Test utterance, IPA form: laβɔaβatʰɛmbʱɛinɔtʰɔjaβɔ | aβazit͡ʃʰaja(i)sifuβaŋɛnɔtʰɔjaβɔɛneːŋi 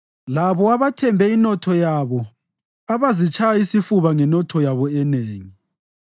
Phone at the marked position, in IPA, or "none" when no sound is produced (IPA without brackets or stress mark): i